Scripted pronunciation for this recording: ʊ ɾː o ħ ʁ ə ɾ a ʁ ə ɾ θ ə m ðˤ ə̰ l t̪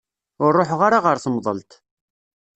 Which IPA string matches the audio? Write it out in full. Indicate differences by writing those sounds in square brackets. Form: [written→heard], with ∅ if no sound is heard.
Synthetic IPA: ʊ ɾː o ħ ʁ [ə→a] ɾ a ʁ ə ɾ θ ə m ðˤ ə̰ l t̪